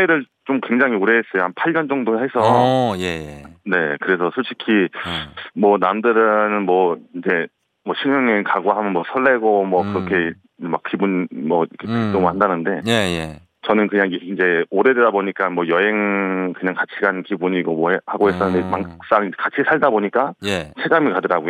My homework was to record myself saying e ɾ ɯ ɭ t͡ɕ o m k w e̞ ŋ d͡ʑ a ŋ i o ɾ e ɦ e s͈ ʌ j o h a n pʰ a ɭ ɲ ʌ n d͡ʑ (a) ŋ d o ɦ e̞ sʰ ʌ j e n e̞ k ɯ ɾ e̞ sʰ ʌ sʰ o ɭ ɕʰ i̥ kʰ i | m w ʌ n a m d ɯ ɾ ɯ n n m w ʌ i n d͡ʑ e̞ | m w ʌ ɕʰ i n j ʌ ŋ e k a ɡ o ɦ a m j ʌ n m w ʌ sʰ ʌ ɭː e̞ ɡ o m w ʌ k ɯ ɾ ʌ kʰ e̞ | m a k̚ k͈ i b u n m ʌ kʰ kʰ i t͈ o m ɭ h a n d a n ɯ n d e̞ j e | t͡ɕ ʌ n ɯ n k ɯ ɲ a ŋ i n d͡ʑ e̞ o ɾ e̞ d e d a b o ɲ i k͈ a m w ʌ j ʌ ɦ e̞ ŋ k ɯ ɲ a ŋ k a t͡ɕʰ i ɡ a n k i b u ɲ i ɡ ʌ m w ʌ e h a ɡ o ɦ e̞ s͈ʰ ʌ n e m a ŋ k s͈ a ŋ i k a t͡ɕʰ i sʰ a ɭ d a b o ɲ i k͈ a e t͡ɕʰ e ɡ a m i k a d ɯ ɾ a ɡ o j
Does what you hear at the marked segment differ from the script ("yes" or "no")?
yes